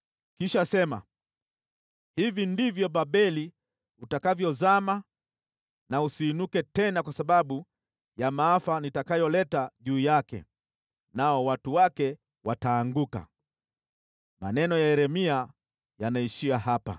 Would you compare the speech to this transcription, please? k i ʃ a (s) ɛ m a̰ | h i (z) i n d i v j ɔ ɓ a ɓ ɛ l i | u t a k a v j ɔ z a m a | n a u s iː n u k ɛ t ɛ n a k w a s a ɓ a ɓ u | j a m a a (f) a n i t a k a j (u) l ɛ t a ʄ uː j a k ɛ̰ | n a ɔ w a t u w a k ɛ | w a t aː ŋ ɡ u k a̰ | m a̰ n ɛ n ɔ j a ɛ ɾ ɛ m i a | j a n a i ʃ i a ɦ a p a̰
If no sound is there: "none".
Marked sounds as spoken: s, v, f, ɔ

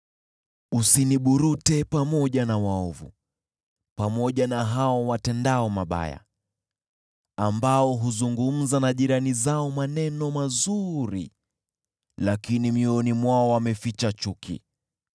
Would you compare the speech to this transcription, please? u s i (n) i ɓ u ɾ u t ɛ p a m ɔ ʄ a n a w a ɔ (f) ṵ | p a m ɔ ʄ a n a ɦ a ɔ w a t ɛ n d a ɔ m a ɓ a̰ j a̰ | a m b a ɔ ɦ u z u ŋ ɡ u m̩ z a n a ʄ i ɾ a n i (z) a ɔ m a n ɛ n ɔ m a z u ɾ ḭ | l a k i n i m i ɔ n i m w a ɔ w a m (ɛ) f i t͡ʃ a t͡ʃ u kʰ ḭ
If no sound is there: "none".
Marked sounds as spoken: n, v, z, ɛ

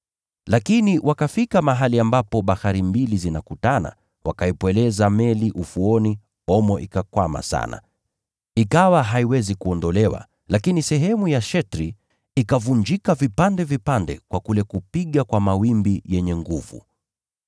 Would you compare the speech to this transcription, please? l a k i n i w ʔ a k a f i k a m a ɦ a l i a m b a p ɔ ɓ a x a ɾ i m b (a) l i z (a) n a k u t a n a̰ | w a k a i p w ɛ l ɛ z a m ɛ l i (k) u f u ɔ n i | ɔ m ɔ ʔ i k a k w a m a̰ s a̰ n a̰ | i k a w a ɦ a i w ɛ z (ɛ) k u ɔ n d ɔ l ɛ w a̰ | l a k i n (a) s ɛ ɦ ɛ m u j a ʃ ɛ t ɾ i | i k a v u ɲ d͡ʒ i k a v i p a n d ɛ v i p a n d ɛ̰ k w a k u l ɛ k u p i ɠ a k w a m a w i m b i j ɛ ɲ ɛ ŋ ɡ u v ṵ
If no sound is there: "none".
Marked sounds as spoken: i, i, ʔ, i, i

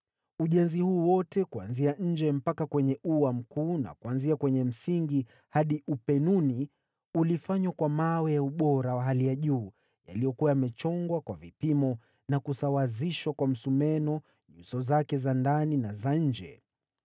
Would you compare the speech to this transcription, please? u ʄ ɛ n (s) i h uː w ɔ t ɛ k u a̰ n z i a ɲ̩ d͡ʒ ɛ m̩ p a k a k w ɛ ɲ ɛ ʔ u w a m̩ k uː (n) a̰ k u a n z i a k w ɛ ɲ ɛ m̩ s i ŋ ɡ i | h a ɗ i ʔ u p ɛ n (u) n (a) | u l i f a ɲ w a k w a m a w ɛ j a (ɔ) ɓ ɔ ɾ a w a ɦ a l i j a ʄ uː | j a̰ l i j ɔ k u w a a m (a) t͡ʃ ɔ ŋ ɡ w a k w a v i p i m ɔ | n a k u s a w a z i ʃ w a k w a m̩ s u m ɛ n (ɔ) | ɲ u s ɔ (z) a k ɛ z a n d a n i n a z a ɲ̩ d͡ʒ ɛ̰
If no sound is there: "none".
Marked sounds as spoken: z, n, u, i, u, ɛ, ɔ, z

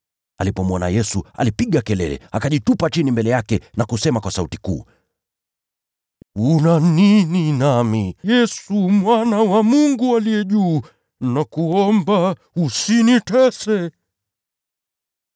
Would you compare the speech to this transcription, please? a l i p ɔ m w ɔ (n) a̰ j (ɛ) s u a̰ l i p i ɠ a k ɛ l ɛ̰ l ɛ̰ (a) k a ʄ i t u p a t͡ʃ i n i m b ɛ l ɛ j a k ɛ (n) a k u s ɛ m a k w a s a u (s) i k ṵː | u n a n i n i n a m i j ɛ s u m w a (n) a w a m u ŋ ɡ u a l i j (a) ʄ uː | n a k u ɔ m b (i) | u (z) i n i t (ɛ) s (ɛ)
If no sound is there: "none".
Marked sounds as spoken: n, ɛ, a, n, t, n, ɛ, a, s, ɛ, ɛ

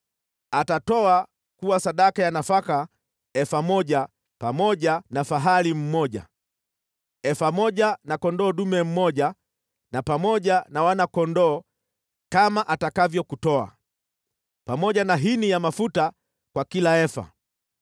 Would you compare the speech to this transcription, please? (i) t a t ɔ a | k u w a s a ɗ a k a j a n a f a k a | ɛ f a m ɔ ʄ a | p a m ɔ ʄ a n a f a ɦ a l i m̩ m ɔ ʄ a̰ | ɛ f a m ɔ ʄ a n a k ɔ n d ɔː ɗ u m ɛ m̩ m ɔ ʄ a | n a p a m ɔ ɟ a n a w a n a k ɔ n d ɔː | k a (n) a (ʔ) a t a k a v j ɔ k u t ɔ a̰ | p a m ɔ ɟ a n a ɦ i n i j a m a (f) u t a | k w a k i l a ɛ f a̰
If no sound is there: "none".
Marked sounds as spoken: a, m, ʔ, f

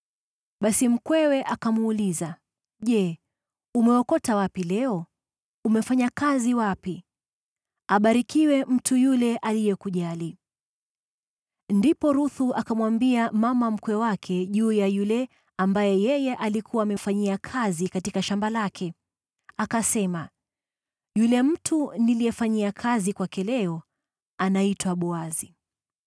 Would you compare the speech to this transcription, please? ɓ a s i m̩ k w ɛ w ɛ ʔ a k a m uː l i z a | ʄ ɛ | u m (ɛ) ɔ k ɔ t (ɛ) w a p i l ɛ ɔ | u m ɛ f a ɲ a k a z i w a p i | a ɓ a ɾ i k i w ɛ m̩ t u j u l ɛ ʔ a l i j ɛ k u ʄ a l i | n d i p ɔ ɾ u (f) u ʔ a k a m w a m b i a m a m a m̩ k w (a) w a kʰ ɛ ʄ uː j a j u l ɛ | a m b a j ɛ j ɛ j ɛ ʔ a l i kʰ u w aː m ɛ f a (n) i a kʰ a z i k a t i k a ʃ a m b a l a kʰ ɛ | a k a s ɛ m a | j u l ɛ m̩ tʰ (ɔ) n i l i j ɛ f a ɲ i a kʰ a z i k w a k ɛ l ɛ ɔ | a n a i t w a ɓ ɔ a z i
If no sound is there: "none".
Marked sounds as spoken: ɛ, a, θ, ɛ, ɲ, u

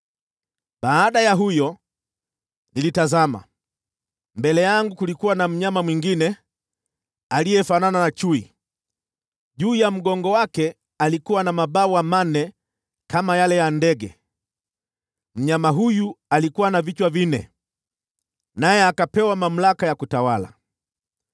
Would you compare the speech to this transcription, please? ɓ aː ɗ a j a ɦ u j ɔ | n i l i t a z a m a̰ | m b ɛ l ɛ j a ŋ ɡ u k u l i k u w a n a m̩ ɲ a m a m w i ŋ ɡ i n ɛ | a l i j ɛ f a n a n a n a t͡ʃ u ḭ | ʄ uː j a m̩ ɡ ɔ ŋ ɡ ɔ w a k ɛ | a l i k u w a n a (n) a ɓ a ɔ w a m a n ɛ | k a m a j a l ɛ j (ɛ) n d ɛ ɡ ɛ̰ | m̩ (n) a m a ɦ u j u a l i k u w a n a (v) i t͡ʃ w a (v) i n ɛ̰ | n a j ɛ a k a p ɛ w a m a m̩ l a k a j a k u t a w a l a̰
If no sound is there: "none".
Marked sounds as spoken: m, a, ɲ, v, v

